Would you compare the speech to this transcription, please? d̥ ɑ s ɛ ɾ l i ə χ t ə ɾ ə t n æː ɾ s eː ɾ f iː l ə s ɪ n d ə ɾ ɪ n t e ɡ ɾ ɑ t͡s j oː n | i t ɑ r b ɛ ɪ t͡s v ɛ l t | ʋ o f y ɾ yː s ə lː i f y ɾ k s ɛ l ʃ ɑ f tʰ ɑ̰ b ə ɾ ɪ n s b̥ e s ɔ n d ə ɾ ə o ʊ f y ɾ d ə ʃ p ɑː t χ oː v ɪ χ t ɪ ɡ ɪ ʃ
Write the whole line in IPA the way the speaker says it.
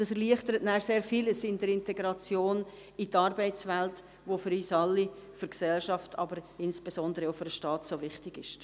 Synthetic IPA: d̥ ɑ s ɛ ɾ l i ə χ t ə ɾ ə t n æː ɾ s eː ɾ f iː l ə s ɪ n d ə ɾ ɪ n t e ɡ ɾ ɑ t͡s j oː n | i t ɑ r b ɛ ɪ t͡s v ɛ l t | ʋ o f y ɾ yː s ɑ lː i f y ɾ k s ɛ l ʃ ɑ f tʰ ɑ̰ b ə ɾ ɪ n s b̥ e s ɔ n d ə ɾ ə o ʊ f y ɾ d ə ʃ t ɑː t s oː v ɪ χ t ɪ ɡ ɪ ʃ

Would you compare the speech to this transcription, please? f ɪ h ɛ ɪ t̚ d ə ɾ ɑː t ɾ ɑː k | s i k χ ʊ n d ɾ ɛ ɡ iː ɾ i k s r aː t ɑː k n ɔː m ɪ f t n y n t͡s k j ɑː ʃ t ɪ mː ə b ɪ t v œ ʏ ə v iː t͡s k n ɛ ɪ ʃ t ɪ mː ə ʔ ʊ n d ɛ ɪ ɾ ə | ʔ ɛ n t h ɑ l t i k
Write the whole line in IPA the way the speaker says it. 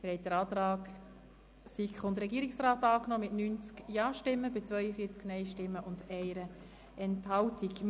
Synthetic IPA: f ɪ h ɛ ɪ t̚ d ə ɾ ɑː t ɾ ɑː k | s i k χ ʊ n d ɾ ɛ ɡ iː ɾ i k s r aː t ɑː k n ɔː m ɪ t n y n t͡s k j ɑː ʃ t ɪ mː ə b ɪ t͡s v œ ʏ ə f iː t͡s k n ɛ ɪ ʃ t ɪ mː ə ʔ ʊ n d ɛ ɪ ɾ ə | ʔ ɛ n t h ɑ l t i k

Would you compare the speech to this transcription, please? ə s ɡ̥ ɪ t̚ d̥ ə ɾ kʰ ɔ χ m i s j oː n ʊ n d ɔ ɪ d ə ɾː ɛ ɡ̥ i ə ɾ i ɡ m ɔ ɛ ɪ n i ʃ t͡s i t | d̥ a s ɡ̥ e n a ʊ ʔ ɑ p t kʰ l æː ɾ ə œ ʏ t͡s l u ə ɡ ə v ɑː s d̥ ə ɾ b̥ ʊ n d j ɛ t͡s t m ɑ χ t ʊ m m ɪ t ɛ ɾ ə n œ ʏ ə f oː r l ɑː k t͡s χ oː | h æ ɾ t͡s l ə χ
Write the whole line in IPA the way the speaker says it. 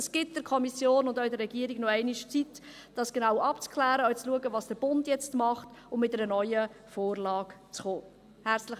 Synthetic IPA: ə s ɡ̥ ɪ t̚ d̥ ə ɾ kʰ ɔ m i s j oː n ʊ n d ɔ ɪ d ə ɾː ɛ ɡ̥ i ə ɾ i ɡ n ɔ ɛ ɪ n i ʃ t͡s i t | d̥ ɑ s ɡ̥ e n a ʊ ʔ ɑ p t͡s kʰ l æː ɾ ə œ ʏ t͡s l u ə ɡ ə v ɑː s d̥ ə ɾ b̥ ʊ n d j ɛ t͡s t m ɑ χ t ʊ m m ɪ t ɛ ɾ ə n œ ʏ ə f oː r l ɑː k t͡s χ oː | h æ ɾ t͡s l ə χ

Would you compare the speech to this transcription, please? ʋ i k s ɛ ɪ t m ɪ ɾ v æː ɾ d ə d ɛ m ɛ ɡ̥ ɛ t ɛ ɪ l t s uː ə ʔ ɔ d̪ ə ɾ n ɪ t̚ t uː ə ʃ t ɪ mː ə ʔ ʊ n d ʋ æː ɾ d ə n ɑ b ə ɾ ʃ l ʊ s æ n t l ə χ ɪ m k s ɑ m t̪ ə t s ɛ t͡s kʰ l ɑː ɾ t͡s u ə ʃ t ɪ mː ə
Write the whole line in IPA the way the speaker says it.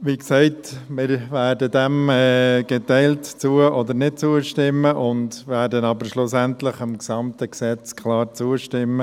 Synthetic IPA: ʋ i k s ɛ ɪ t m ɪ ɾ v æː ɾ d ə d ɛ m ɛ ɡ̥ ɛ t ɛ ɪ l t t͡s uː ə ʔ ɔ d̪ ə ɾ n ɪ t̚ t͡s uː ə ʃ t ɪ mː ə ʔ ʊ n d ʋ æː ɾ d ə n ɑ b ə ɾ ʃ l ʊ s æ n t l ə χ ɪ m k s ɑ m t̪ ə k s ɛ t͡s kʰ l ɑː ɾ t͡s u ə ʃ t ɪ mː ə

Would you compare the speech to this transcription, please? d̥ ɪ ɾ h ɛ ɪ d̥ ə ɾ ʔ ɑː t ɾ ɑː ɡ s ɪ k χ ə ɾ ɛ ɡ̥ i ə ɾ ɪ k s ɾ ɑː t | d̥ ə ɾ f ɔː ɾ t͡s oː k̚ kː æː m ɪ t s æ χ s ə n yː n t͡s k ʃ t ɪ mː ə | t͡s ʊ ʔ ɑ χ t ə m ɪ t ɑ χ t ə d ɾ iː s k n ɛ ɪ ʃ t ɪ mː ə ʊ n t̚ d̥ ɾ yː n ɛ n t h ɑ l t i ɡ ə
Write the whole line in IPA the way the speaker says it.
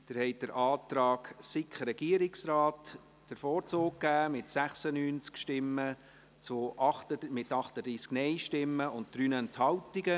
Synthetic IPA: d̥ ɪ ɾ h ɛ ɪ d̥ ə ɾ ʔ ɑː t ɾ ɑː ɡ s ɪ k χ ə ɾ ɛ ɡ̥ i ə ɾ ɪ k s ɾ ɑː t | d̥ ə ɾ f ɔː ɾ t͡s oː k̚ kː æː m ɪ t s æ χ s ə n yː n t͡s k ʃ t ɪ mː ə | t͡s ʊ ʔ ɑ χ t ə m ɪ t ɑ χ t ə d ɾ iː s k n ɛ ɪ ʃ t ɪ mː ə ʊ n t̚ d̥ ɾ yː n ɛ n t h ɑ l t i ɡ ə

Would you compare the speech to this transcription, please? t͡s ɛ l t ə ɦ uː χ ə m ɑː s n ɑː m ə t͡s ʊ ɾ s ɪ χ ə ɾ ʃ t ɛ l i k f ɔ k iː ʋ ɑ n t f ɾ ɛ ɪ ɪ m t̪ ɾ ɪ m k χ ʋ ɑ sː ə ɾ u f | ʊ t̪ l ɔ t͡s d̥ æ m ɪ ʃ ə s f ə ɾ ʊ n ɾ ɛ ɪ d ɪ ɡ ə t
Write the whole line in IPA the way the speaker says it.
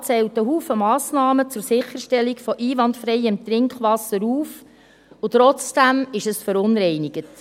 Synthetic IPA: t͡s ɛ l t ə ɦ uː f ə m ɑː s n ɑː m ə t͡s ʊ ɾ s ɪ χ ə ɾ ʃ t ɛ l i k f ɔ ʔ iː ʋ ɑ n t f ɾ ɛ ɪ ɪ m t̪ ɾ ɪ ŋ k χ ʋ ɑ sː ə ɾ uː f | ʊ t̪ ɾ ɔ t͡s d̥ æ m ɪ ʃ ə s f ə ɾ ʊ n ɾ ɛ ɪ n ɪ ɡ ə t

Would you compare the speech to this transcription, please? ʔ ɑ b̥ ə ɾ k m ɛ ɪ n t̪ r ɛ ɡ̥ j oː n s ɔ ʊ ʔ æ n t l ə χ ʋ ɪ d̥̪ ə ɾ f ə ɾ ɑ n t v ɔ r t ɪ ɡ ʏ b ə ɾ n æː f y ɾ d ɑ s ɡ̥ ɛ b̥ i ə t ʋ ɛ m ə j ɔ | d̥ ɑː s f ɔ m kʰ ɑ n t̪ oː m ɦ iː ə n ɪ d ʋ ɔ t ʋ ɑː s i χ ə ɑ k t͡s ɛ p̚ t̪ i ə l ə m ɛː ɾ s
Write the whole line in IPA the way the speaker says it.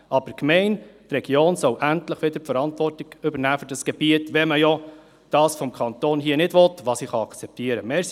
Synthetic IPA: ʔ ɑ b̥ ə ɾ k m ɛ ɪ n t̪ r ɛ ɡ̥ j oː n s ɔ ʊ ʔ æ n t l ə χ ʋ ɪ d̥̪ ə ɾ f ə ɾ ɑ n t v ɔ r t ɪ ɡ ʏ b ə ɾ n æː f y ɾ d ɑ s ɡ̥ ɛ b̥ i ə t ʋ ɛ m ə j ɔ | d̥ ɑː s f ɔ m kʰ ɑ n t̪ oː n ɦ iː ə n ɪ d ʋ ɔ t ʋ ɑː s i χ ɑ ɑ k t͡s ɛ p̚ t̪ i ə ɾ ə m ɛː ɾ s

